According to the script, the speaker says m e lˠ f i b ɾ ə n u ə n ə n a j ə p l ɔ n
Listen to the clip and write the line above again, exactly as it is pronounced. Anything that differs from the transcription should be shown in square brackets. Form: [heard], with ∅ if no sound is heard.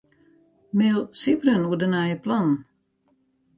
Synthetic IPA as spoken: m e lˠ [s] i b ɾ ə n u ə [d] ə n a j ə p l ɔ n